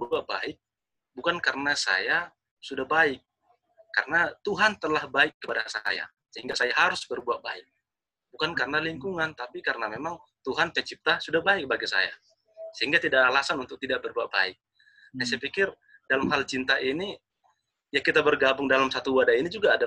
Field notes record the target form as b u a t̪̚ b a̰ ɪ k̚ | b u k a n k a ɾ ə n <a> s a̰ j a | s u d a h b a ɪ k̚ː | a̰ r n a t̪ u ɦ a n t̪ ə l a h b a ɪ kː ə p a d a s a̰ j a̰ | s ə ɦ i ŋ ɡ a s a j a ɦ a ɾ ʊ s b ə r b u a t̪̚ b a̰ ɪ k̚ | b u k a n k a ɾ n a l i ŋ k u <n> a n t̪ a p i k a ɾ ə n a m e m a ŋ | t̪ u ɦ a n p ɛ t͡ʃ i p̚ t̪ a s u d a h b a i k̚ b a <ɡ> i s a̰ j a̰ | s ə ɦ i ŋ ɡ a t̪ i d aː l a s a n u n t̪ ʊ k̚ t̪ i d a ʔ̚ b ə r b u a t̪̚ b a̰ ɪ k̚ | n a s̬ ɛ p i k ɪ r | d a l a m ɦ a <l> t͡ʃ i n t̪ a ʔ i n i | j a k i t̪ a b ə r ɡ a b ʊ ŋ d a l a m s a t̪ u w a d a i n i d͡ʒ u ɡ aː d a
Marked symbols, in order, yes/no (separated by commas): yes, no, yes, yes